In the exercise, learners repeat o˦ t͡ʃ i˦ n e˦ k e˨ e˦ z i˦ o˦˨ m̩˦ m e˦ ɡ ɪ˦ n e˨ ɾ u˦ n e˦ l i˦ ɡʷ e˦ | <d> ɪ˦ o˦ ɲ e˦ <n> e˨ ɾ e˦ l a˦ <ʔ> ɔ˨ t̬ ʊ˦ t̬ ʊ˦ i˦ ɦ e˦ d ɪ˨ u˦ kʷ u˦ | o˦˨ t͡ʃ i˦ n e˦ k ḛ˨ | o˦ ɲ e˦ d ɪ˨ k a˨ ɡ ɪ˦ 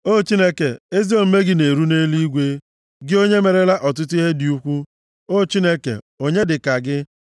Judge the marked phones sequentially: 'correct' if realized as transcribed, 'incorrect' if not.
incorrect, incorrect, correct

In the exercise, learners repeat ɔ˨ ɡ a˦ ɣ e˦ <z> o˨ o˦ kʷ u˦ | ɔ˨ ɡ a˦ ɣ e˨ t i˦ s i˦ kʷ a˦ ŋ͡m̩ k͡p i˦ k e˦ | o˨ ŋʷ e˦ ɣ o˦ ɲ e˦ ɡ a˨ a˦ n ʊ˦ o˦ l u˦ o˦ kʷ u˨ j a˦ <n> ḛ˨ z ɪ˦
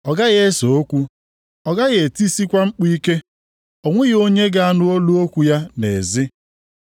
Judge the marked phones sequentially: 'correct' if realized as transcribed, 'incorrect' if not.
incorrect, correct

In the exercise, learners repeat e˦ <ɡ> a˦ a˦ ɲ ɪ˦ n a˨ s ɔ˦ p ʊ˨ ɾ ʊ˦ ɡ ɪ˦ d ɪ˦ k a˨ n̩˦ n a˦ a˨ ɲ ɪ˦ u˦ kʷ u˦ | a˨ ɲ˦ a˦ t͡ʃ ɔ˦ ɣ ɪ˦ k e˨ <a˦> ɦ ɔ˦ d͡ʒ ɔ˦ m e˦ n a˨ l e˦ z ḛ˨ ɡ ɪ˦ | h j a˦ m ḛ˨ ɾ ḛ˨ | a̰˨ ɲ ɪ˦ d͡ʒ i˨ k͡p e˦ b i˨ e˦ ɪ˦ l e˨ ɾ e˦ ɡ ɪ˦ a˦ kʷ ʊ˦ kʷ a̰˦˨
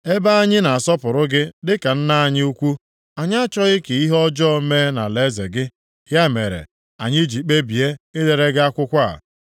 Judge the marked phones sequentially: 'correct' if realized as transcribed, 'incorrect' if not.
incorrect, incorrect

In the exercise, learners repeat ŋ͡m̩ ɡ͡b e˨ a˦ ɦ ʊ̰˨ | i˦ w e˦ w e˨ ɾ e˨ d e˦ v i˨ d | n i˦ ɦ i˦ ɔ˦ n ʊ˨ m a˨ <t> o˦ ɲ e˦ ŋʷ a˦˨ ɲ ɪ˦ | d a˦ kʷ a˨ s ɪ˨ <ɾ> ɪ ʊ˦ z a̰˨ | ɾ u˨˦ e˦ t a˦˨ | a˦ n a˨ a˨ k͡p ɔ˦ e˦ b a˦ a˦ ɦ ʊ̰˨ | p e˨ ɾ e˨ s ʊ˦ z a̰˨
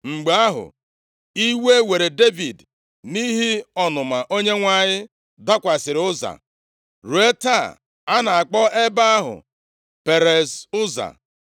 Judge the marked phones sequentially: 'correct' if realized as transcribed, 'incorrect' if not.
incorrect, correct

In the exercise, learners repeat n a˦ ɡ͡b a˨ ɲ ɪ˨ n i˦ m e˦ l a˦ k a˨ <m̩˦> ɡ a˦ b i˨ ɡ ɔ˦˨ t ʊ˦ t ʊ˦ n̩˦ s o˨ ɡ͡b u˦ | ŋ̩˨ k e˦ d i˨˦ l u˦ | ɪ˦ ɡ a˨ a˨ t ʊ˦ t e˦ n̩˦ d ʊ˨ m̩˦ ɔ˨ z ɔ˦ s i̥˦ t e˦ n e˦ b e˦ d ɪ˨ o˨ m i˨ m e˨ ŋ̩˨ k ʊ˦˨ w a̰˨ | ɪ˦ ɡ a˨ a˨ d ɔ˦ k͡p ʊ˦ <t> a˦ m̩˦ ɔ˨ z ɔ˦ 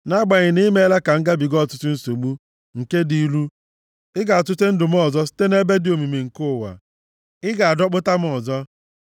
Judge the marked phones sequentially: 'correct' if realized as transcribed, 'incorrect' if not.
incorrect, correct

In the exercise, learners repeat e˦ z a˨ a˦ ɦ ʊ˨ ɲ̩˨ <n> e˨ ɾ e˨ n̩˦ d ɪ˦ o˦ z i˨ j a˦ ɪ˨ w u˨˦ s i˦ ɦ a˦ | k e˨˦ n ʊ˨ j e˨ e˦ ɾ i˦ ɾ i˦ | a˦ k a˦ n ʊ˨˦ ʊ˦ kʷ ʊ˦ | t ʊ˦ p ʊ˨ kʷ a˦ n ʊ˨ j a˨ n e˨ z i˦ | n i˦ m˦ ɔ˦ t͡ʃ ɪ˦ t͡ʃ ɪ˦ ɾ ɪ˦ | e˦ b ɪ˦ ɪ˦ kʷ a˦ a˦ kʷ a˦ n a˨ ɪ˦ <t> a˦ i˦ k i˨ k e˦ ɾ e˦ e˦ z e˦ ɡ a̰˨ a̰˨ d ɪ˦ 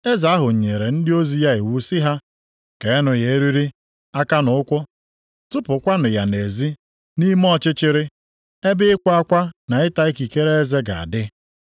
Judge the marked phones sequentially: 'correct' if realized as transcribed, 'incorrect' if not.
incorrect, correct

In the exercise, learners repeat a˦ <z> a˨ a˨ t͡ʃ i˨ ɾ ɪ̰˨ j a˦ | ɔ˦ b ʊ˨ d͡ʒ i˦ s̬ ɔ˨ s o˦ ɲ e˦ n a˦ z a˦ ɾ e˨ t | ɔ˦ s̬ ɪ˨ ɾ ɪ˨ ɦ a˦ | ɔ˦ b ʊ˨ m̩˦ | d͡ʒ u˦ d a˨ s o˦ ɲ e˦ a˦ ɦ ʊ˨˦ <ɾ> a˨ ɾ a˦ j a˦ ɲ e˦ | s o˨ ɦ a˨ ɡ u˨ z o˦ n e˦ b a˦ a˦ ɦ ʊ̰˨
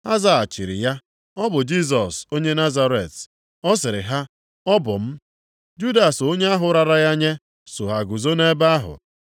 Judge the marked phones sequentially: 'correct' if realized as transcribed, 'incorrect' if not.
correct, correct

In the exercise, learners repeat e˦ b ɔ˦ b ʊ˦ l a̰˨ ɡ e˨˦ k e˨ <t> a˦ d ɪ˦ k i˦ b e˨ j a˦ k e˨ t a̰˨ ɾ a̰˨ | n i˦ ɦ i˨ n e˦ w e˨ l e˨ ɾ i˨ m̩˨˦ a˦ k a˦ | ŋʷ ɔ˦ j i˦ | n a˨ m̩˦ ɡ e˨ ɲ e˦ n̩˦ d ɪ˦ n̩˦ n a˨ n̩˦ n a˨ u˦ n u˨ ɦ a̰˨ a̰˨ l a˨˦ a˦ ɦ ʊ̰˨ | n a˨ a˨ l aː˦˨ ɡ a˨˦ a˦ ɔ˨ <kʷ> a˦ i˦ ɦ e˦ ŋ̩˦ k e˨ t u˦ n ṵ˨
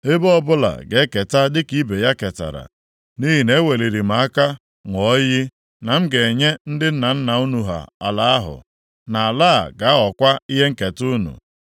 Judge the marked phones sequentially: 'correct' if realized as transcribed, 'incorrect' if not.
correct, correct

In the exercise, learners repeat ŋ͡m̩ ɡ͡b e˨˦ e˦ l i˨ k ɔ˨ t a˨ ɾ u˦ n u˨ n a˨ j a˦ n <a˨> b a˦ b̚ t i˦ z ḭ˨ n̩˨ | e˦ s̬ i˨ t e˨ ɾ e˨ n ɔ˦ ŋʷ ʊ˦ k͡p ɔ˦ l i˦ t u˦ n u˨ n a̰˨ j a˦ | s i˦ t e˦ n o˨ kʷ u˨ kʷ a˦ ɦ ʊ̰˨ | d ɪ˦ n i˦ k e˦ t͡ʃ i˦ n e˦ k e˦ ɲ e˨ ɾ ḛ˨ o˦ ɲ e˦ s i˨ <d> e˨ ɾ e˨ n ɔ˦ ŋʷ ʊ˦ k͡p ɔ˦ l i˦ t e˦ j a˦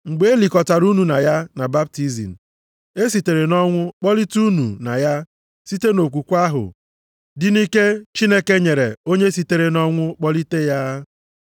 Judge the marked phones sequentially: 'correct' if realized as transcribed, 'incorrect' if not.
correct, incorrect

